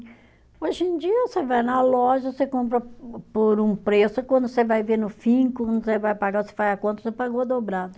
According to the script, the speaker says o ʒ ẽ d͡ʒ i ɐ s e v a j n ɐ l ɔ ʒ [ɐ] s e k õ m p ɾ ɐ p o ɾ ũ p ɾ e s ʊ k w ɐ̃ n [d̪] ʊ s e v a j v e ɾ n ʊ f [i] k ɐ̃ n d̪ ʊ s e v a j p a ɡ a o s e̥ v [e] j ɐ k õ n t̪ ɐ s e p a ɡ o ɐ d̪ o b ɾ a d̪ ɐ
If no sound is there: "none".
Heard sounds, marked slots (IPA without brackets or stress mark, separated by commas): ɐ, d̪, ĩ, a